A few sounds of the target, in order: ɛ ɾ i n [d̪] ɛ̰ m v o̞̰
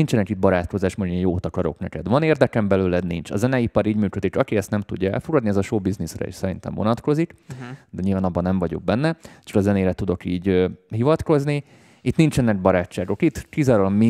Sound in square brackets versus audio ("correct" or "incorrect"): incorrect